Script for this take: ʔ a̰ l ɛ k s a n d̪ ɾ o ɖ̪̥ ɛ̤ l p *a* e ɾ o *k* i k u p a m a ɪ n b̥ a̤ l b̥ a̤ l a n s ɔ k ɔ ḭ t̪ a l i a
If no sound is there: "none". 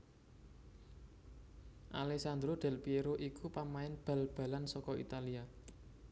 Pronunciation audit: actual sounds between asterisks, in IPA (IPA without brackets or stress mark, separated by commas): i, ʔ